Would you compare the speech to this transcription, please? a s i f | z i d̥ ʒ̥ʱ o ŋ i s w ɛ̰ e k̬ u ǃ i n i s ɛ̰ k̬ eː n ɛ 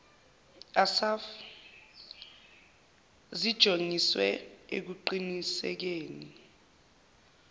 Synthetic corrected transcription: a s a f | z i d̥ ʒ̥ʱ o ŋ i s w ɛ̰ e k̬ u ǃ i n i s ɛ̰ k̬ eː n i